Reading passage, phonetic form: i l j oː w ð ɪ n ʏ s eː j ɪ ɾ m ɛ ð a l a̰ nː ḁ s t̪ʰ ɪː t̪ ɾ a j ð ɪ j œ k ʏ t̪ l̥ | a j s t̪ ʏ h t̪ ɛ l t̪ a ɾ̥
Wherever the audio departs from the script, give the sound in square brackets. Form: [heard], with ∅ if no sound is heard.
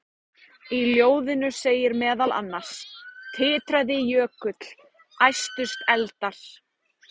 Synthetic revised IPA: i l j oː w ð ɪ n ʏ s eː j ɪ ɾ m [ɛː] ð a l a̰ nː ḁ s t̪ʰ ɪː t̪ ɾ a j ð ɪ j [œː] k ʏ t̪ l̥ | a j s t̪ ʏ [s] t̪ ɛ l t̪ a ɾ̥